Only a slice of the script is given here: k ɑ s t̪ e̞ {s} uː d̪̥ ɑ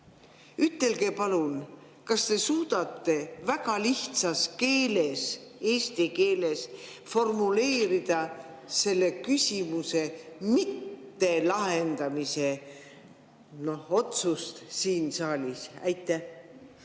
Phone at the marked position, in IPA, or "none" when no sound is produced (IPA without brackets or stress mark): s